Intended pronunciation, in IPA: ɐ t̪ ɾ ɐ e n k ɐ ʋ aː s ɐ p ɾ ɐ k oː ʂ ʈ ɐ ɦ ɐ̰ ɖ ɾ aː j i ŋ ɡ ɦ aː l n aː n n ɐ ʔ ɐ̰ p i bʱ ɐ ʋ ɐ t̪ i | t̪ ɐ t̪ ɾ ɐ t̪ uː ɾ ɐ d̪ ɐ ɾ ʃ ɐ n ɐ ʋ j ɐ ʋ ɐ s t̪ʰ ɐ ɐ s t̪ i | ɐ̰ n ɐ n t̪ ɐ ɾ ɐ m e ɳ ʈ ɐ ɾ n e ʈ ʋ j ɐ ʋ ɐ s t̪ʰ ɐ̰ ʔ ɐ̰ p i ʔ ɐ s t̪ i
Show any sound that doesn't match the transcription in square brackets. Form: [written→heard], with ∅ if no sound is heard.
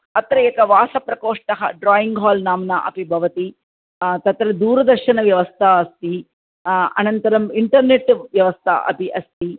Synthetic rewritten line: ɐ t̪ ɾ ɐ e [n→∅] k ɐ ʋ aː s ɐ p ɾ ɐ k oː ʂ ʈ ɐ ɦ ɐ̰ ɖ ɾ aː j i ŋ ɡ ɦ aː l n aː [n→m] n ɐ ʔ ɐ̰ p i bʱ ɐ ʋ ɐ t̪ i | t̪ ɐ t̪ ɾ ɐ [t̪→d̪] uː ɾ ɐ d̪ ɐ ɾ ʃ ɐ n ɐ ʋ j ɐ ʋ ɐ s t̪ʰ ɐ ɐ s t̪ i | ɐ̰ n ɐ n t̪ ɐ ɾ ɐ m [e→i] ɳ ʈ ɐ ɾ n e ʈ ʋ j ɐ ʋ ɐ s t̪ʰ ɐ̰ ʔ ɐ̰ p i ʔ ɐ s t̪ i